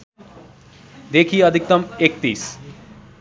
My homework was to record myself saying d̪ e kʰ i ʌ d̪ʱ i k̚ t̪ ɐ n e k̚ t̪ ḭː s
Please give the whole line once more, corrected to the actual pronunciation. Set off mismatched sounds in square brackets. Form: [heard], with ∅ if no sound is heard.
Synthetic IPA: d̪ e kʰ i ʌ d̪ʱ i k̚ t̪ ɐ [m] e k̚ t̪ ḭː s